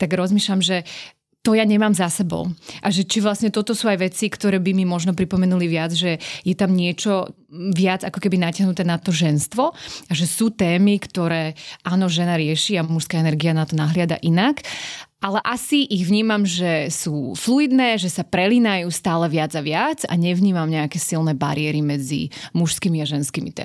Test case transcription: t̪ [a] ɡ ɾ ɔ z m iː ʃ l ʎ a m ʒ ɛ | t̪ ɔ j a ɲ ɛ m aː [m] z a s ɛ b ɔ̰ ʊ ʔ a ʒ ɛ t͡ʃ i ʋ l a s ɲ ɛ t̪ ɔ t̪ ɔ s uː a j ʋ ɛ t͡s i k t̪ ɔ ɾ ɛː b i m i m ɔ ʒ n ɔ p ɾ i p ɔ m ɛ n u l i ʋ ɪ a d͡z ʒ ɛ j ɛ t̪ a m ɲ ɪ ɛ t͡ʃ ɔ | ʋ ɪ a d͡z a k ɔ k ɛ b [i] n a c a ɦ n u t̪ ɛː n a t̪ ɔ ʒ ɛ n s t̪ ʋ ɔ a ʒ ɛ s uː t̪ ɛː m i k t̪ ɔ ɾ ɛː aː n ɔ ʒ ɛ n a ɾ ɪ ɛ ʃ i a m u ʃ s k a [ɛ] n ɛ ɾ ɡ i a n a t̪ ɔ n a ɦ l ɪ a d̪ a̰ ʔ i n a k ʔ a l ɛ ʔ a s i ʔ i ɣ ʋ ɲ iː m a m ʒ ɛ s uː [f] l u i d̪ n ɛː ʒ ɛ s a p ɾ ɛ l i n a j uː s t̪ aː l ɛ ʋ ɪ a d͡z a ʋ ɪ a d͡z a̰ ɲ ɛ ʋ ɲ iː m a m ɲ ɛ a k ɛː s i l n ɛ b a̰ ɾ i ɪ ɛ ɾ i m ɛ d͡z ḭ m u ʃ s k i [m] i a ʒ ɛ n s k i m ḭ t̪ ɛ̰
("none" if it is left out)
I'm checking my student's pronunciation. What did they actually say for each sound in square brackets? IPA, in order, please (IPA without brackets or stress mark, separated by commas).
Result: a, m, i, ɛ, f, m